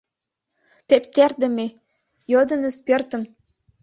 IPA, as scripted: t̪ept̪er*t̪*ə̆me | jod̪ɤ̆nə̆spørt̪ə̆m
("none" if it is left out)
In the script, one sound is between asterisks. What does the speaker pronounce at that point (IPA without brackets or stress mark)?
d̪